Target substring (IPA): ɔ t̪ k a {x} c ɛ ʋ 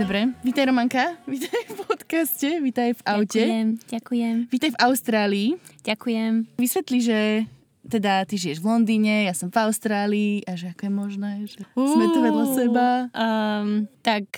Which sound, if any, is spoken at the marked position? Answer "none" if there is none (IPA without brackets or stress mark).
s